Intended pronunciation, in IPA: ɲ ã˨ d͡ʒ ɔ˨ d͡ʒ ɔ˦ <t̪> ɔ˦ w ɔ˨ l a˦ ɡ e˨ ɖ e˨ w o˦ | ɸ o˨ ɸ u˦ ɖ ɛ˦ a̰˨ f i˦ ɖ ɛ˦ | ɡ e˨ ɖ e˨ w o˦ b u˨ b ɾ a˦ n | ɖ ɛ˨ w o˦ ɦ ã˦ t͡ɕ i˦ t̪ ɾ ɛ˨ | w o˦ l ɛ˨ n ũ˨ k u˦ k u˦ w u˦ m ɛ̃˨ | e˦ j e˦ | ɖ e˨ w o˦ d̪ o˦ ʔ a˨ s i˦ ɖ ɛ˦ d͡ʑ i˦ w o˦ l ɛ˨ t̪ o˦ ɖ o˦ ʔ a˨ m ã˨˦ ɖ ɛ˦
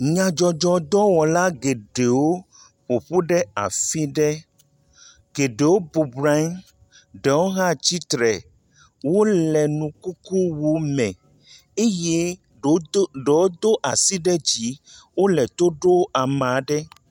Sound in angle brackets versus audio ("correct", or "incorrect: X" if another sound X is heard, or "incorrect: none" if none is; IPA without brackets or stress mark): incorrect: d̪